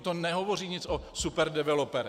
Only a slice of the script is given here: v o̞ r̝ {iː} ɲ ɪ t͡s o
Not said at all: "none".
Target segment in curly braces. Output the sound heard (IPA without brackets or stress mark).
iː